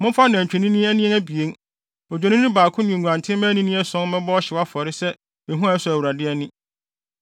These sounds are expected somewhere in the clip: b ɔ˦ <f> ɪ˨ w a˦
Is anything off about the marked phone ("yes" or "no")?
yes